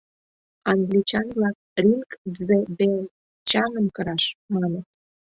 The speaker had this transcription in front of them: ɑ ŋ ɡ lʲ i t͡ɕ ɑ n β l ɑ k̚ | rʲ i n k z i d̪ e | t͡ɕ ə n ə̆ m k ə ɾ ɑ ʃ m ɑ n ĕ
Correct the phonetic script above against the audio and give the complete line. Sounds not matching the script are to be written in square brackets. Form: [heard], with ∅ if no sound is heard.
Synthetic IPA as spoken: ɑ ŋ ɡ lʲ i t͡ɕ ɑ n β l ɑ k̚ | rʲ i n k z [e] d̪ e | t͡ɕ [ɑ] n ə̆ m k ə ɾ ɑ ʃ m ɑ n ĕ